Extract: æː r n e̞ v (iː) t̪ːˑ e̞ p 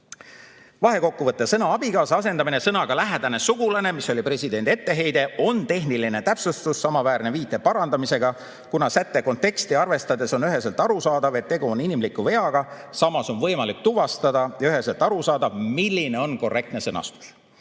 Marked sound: correct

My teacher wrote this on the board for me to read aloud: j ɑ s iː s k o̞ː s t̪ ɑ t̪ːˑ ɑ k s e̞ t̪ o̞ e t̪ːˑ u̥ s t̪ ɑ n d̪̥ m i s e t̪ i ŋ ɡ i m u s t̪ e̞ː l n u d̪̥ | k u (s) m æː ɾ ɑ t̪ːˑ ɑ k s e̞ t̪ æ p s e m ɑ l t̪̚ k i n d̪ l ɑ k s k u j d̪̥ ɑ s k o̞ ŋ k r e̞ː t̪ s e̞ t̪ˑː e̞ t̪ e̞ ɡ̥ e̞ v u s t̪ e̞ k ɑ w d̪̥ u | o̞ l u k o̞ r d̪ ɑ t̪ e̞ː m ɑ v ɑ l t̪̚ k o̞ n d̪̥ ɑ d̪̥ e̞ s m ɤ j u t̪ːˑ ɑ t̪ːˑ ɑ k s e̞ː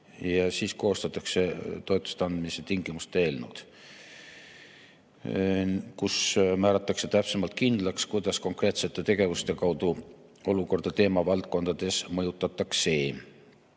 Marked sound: correct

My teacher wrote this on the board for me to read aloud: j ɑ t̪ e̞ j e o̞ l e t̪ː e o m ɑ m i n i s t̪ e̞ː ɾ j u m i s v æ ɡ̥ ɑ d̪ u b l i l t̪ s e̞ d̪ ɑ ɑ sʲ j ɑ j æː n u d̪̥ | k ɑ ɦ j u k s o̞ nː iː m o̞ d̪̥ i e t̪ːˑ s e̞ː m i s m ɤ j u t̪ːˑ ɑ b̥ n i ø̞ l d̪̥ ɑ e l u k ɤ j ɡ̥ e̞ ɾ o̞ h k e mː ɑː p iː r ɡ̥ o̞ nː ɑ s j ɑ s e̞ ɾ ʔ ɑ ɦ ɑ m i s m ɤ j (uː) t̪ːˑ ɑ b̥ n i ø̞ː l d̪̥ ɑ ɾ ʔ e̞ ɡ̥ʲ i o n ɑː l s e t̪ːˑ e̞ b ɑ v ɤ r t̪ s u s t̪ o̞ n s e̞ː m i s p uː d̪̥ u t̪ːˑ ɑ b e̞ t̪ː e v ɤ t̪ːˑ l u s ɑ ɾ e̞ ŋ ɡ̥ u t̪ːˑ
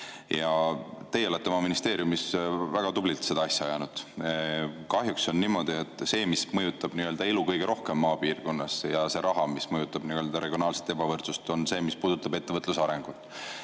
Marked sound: incorrect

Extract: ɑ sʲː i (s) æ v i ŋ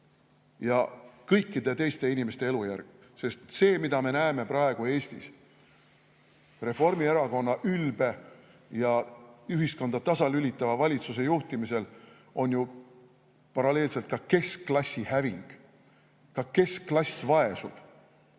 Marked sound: incorrect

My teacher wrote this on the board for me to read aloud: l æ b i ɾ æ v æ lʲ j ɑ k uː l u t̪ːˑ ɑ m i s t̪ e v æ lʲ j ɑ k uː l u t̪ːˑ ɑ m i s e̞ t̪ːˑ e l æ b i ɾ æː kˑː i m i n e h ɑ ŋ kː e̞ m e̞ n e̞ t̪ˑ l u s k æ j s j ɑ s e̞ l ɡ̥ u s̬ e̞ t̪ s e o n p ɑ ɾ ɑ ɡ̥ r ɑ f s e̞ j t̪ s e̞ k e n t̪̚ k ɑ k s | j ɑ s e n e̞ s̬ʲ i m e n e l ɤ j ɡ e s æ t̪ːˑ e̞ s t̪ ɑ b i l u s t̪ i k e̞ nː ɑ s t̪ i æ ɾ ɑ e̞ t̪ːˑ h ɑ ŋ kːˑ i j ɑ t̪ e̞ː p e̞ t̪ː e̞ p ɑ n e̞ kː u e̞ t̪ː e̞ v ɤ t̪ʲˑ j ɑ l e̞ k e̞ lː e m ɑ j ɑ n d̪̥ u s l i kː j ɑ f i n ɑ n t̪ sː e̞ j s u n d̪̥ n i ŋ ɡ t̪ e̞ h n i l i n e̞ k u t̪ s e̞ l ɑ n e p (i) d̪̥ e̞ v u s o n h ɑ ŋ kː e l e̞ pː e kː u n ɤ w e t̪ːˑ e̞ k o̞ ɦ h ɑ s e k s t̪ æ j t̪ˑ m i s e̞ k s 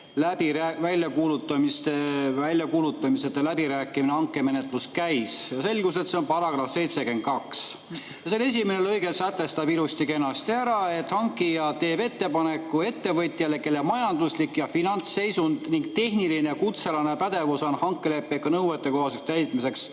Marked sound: incorrect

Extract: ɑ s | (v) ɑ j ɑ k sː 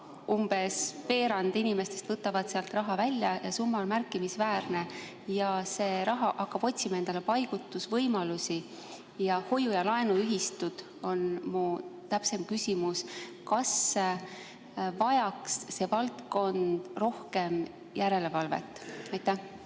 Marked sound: correct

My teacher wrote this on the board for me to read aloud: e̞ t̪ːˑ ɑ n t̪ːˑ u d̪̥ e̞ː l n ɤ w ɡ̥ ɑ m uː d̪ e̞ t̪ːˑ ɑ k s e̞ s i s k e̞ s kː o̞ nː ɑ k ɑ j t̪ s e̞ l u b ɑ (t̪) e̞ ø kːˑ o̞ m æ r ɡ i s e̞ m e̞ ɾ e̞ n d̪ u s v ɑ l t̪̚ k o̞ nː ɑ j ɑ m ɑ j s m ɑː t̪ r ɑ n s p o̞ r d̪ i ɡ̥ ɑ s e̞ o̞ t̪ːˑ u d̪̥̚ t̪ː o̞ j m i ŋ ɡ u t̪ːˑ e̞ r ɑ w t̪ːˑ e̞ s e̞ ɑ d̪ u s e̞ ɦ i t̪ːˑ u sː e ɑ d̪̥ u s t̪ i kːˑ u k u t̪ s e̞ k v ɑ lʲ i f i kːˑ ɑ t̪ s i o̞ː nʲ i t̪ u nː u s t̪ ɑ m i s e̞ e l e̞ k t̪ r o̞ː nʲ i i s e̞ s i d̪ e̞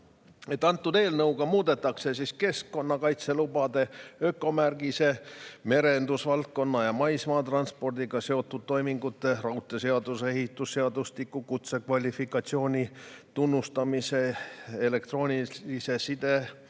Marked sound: incorrect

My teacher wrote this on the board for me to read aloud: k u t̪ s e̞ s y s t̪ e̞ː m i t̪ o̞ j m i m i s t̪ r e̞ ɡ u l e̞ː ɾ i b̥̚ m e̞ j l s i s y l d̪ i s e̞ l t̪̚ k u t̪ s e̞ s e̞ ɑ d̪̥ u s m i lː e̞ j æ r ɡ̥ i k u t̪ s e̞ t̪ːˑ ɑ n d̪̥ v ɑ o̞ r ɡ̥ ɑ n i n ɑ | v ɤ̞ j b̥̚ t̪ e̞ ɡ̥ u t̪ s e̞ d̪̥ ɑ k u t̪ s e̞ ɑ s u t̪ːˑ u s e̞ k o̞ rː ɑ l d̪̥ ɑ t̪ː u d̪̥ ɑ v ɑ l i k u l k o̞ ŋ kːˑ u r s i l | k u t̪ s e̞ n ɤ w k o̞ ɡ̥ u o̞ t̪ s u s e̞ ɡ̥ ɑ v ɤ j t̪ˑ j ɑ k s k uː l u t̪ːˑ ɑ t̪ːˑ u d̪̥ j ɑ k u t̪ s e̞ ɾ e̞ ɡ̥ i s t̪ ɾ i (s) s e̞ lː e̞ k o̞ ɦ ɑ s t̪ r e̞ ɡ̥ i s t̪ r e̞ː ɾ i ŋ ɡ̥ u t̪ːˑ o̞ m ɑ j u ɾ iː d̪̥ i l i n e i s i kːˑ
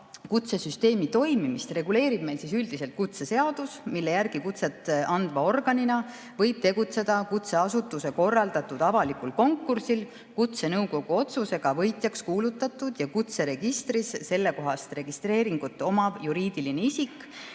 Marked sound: correct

